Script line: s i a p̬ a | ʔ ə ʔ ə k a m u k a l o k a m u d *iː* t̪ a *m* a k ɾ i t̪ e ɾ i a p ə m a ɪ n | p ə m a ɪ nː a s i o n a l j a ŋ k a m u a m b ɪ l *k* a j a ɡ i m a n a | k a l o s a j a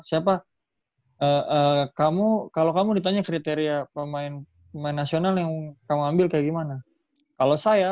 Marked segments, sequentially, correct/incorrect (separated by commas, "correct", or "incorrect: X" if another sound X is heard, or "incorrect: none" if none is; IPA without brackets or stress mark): incorrect: i, incorrect: ɲ, correct